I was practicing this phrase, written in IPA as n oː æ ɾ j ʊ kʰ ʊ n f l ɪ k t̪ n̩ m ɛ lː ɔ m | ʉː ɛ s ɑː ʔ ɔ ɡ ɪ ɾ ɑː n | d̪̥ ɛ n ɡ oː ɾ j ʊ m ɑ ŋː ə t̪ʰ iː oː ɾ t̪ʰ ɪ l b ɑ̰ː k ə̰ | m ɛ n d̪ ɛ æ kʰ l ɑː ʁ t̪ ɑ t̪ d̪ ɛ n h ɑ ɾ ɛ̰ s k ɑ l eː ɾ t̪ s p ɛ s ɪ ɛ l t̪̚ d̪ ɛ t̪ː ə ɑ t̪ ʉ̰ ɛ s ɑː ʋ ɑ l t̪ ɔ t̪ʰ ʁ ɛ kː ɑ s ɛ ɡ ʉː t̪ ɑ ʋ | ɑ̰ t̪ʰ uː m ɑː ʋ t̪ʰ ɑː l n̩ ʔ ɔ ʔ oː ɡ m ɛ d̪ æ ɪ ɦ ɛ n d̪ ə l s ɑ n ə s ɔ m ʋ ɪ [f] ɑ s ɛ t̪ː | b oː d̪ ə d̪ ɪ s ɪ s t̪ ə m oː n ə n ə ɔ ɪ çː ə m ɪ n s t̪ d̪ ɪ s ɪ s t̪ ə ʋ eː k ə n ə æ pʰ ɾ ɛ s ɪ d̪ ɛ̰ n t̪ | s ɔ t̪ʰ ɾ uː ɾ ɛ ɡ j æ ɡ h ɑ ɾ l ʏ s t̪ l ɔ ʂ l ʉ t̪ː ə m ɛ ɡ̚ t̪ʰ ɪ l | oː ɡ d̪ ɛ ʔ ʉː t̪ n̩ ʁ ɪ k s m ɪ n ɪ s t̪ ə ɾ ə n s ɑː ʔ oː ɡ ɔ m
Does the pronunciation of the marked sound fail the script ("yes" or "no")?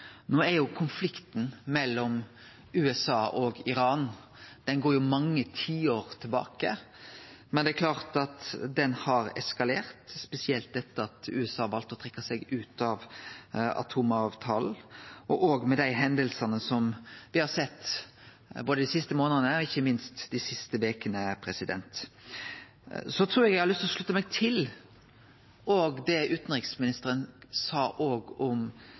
yes